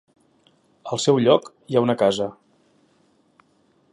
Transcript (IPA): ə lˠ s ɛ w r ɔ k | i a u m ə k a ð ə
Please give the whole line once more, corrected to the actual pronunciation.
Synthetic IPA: ə lˠ s ɛ w ʎ ɔ k | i a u n ə k a z ə